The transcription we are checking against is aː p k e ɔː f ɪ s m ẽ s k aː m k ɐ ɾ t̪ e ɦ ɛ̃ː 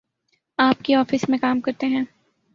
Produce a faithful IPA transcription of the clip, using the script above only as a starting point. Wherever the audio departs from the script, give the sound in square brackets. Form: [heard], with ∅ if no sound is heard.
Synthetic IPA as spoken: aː p k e ɔː f ɪ s m ẽ [∅] k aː m k ɐ ɾ t̪ e ɦ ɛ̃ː

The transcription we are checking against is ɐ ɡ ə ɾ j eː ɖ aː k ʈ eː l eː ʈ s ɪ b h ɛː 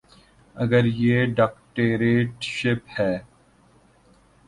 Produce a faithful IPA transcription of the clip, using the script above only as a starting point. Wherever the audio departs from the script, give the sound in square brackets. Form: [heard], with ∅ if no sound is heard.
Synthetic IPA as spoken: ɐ ɡ ə ɾ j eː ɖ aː k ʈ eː [ɾ] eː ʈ [ʃ] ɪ [p] h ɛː

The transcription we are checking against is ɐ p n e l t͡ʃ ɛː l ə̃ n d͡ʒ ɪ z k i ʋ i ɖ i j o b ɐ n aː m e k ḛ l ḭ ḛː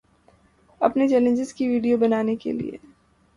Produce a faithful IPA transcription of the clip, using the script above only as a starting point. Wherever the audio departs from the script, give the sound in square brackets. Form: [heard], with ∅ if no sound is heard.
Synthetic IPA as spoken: ɐ p n e [∅] t͡ʃ ɛː l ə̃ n d͡ʒ ɪ z k i ʋ [iː] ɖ i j o b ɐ n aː [n] e k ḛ l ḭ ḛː

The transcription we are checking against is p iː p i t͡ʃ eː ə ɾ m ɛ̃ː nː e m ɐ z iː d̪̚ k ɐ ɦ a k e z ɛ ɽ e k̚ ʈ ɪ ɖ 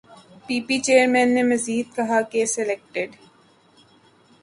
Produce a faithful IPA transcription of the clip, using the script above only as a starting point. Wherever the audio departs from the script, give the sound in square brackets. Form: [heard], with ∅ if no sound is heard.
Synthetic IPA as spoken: p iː p i t͡ʃ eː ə ɾ m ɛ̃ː nː e m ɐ z iː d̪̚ k ɐ ɦ a k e [s] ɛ [l] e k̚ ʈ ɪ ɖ

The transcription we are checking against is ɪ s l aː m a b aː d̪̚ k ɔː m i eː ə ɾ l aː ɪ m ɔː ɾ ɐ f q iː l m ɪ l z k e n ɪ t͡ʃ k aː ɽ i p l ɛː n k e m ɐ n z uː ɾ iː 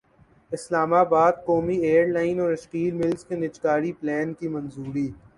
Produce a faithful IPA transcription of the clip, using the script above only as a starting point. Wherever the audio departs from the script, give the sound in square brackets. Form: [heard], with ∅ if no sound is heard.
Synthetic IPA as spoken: ɪ s l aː m a b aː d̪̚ k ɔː m i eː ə ɾ l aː ɪ [n] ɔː ɾ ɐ [ʃ] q iː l m ɪ l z k e n ɪ t͡ʃ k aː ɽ i p l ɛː n k [i] m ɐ n z uː ɾ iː

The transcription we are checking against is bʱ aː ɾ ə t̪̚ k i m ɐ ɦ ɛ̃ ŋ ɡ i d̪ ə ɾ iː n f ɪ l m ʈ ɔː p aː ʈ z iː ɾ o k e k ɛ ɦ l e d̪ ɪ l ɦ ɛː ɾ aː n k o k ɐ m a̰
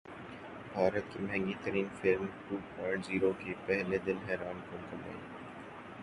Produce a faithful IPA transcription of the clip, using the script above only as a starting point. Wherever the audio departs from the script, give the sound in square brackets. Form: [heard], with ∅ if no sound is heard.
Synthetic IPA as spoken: bʱ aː ɾ ə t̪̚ k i m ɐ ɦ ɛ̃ ŋ ɡ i [t̪] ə ɾ iː n f ɪ l m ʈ [uː] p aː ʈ z iː ɾ o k e [p] ɛ ɦ l e d̪ ɪ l ɦ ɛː ɾ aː n k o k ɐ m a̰

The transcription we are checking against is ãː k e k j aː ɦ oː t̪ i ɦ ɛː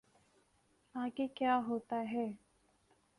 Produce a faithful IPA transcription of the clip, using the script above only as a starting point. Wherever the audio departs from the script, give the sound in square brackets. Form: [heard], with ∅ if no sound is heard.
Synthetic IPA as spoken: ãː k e k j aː ɦ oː t̪ [a] ɦ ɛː

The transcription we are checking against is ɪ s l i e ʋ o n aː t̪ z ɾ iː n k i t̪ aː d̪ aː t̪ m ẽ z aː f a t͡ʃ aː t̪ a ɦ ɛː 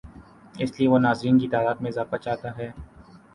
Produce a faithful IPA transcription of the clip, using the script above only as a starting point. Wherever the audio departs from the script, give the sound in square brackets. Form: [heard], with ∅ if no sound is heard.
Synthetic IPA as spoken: ɪ s l i e ʋ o n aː [∅] z ɾ iː n k i t̪ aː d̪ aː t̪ m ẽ z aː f a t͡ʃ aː t̪ a ɦ ɛː

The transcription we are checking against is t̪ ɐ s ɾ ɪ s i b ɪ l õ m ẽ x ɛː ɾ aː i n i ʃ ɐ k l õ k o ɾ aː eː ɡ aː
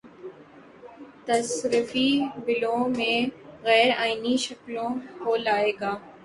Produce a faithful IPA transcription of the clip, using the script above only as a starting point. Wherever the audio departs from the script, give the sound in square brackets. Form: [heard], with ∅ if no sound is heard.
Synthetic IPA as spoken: t̪ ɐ s ɾ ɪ [f] i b ɪ l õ m ẽ [ɣ] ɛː ɾ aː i n i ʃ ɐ k l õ k o [l] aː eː ɡ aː

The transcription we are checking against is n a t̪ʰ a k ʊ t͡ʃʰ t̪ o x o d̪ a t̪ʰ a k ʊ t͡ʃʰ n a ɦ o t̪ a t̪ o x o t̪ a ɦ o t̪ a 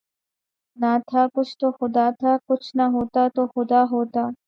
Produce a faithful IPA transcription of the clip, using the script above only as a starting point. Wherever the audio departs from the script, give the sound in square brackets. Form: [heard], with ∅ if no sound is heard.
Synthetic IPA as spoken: n a t̪ʰ a k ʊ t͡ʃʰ t̪ o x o d̪ a t̪ʰ a k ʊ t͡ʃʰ n a ɦ o t̪ a t̪ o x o [d̪] a ɦ o t̪ a

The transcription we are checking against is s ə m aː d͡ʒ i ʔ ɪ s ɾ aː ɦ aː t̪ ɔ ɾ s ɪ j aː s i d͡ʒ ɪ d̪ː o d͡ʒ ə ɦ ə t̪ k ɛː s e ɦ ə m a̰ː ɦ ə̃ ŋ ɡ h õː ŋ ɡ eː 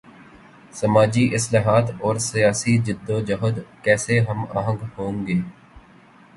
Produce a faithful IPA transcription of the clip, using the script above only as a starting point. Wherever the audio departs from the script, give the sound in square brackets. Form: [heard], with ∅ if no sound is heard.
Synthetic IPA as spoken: s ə m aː d͡ʒ i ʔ ɪ s [l] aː ɦ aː t̪ [ɔː] ɾ s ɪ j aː s i d͡ʒ ɪ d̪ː o d͡ʒ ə ɦ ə [d̪] k ɛː s e ɦ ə m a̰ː ɦ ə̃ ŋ ɡ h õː ŋ ɡ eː

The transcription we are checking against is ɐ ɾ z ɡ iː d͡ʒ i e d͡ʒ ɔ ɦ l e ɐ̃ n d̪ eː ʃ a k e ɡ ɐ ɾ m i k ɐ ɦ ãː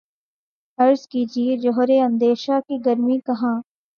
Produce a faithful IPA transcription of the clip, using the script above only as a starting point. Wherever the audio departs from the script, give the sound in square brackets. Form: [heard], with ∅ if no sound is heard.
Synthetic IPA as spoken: ɐ ɾ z [k] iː d͡ʒ i e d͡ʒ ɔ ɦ [ɾ] e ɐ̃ n d̪ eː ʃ a k [i] ɡ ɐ ɾ m i k ɐ ɦ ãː

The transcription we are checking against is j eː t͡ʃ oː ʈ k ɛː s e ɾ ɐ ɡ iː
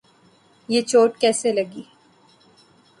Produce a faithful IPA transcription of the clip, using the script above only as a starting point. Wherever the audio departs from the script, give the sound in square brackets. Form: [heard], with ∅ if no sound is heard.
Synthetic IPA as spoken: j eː t͡ʃ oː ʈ k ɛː s e [l] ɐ ɡ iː

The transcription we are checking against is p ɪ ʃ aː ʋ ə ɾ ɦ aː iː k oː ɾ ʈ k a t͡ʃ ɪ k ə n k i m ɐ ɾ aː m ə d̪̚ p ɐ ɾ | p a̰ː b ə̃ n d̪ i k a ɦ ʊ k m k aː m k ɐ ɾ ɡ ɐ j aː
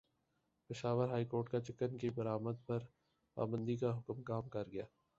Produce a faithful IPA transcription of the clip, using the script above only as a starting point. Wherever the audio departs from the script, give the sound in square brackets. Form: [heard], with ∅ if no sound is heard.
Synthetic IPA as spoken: p ɪ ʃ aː ʋ ə ɾ ɦ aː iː k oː ɾ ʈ k a t͡ʃ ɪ k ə n k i [b] ɐ ɾ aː m ə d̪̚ p ɐ ɾ | p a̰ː b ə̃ n d̪ i k a ɦ ʊ k m k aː m k ɐ ɾ ɡ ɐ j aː

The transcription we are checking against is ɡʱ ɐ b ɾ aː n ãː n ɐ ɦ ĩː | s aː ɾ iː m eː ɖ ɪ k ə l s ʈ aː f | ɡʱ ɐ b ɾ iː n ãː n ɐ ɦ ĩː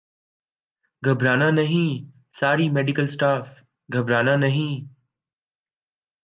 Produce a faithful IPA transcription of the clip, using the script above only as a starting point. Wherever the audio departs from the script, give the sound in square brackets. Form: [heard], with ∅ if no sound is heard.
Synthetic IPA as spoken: ɡʱ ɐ b ɾ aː n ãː n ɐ ɦ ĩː | s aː ɾ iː m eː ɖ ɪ k ə l s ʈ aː f | ɡʱ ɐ b ɾ [aː] n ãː n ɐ ɦ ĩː

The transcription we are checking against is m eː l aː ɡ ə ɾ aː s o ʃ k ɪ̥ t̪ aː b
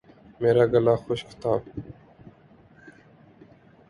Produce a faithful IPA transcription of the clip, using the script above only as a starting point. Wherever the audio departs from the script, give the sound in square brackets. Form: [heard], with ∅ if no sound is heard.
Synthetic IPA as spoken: m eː [ɾ] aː ɡ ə [l] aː [x] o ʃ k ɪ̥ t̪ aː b

